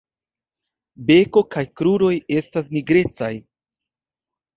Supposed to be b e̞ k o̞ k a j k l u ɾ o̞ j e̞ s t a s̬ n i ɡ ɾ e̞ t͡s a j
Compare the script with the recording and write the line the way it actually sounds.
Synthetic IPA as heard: b e̞ k o̞ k a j k ɾ u ɾ o̞ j e̞ s t a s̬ n i ɡ ɾ e̞ t͡s a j